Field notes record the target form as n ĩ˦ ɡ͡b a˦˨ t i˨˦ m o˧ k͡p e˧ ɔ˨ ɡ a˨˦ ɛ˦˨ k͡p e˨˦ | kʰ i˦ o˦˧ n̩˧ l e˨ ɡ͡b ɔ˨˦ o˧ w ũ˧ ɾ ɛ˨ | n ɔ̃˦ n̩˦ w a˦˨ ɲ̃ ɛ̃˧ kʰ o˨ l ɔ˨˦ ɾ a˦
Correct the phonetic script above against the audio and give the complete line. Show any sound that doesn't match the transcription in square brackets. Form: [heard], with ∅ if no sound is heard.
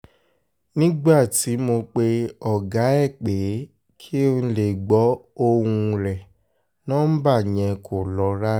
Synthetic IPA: n ĩ˦ ɡ͡b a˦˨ t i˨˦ m o˧ k͡p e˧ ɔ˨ ɡ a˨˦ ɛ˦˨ k͡p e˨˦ | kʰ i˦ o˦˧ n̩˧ l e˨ ɡ͡b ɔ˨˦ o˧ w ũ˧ ɾ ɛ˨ | n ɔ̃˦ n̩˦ [b] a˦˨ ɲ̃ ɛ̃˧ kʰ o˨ l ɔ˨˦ ɾ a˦